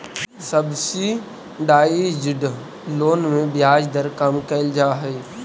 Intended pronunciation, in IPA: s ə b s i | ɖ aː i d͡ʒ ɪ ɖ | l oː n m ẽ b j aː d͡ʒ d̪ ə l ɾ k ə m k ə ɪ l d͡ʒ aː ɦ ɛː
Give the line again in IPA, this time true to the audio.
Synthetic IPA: s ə b s i | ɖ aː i d͡ʒ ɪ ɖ | l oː n m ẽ b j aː d͡ʒ d̪ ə ɾ k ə m k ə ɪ l d͡ʒ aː ɦ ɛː